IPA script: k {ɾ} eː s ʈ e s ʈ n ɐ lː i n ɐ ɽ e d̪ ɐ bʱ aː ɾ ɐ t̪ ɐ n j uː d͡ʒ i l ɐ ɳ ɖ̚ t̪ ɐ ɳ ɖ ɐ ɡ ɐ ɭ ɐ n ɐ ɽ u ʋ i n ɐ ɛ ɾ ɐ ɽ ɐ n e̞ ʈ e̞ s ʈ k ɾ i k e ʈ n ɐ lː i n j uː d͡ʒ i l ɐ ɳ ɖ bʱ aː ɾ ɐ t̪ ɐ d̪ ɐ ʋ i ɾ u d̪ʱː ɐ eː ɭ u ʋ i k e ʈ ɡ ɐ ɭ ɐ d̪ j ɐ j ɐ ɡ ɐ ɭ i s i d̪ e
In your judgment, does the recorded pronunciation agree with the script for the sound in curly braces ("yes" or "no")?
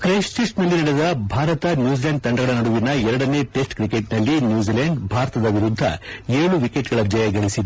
yes